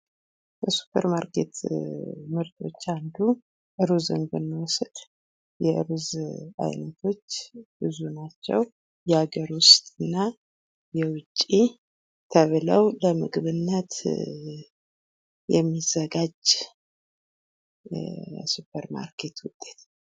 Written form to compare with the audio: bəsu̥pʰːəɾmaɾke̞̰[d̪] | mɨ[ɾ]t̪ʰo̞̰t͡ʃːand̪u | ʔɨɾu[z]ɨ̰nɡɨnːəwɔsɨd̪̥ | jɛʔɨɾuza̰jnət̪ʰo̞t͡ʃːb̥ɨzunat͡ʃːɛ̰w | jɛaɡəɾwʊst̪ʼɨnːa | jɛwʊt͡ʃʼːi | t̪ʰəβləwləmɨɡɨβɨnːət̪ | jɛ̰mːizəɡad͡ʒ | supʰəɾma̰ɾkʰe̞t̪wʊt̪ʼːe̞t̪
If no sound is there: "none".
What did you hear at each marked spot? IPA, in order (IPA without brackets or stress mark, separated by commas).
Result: t̪, ɾ, z